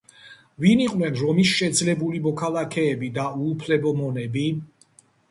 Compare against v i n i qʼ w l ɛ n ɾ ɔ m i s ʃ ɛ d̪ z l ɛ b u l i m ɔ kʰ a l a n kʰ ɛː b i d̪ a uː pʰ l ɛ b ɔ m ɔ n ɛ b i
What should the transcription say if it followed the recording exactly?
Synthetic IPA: v i n i qʼ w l ɛ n ɾ ɔ m i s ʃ ɛ d̪ z l ɛ b u l i m ɔ kʰ a l a kʰ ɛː b i d̪ a uː pʰ l ɛ b ɔ m ɔ n ɛ b i